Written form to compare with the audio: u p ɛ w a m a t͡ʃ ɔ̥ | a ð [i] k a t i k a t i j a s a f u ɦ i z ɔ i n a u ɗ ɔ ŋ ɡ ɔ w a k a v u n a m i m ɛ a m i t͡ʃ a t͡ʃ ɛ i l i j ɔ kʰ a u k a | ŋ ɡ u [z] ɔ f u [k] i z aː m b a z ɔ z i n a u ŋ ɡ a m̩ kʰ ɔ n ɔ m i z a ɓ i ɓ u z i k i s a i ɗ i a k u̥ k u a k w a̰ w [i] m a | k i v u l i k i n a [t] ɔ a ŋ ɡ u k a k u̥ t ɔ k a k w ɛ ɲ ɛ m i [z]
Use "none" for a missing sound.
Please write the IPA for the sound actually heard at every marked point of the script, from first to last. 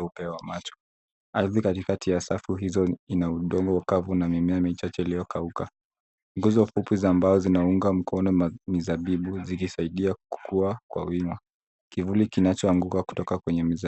i, z, p, i, t͡ʃ, z

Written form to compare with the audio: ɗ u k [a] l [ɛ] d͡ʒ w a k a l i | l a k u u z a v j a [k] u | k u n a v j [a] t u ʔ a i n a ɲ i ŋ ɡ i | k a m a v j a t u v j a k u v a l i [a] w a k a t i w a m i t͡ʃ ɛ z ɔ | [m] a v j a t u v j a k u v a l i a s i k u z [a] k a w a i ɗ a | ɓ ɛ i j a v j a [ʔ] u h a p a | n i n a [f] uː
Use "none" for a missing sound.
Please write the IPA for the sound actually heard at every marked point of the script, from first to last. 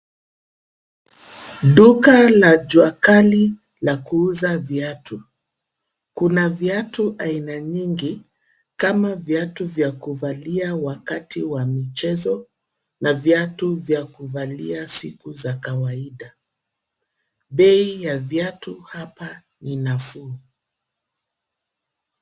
a, a, t, a, a, n, a, t, f

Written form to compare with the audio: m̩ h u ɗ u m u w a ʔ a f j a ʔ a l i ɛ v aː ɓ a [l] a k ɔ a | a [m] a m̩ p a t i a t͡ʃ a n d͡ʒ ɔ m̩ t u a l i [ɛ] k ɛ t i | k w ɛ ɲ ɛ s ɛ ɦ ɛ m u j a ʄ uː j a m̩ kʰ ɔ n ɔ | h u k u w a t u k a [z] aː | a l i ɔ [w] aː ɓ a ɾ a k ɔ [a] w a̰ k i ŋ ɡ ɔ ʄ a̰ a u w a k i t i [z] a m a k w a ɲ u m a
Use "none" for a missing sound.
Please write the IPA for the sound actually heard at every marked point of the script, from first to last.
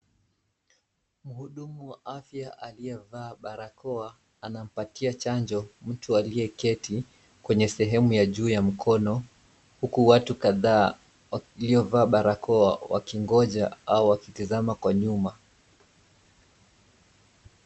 ɾ, n, ɛ, ð, v, a, z

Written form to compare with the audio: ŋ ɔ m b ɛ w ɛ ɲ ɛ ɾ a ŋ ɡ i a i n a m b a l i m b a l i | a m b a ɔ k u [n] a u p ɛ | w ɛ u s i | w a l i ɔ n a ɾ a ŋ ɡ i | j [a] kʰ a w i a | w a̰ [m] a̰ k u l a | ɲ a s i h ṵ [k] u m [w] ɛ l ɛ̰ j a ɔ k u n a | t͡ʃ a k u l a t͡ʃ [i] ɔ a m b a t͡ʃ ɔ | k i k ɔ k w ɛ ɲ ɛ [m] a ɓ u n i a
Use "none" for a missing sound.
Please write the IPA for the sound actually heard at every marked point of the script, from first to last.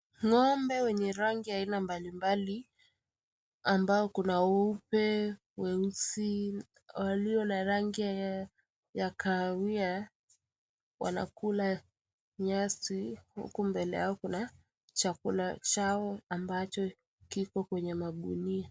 n, a, n, k, b, a, m

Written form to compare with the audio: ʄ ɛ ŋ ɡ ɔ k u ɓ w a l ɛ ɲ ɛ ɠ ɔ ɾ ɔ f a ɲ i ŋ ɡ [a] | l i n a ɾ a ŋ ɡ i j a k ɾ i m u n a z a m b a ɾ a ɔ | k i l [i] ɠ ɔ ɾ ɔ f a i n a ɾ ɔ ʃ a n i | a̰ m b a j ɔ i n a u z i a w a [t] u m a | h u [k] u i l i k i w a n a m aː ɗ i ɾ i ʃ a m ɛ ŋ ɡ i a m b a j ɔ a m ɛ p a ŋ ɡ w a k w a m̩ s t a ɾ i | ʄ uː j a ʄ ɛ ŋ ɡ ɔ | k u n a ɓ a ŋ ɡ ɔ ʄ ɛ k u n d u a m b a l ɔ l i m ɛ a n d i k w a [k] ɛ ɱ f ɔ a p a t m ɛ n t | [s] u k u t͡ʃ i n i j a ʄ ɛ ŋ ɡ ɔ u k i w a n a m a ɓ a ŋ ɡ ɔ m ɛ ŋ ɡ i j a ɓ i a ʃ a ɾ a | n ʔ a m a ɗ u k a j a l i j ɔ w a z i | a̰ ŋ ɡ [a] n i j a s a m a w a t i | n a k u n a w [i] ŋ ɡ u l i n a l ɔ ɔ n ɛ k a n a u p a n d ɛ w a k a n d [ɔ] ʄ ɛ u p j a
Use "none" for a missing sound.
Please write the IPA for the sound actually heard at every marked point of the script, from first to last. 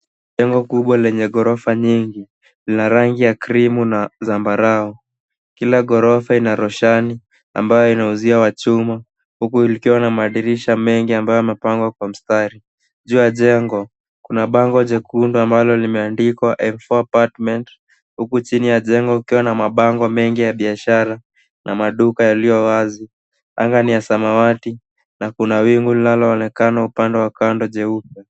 i, a, t͡ʃ, k, ʔ, h, a, i, ɔ

